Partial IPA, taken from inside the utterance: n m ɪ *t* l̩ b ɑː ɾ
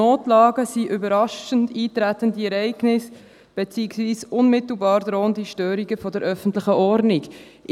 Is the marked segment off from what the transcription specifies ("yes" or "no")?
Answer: no